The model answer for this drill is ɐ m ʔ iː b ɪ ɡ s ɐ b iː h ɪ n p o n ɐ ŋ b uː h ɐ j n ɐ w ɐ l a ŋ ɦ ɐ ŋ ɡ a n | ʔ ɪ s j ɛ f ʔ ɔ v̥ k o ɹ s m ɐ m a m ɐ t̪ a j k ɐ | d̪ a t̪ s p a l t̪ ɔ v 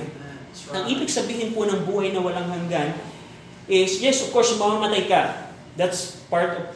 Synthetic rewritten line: ɐ ŋ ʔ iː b ɪ ɡ s ɐ b iː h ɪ n p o n ɐ ŋ b uː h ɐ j n ɐ w ɐ l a ŋ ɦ ɐ ŋ ɡ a n | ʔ ɪ s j ɛ s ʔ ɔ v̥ k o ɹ s m ɐ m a m ɐ t̪ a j k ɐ | d̪ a t̪ s p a ɹ t̪ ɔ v